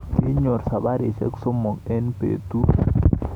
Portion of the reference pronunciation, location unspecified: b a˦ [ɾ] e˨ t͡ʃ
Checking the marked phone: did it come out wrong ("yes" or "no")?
no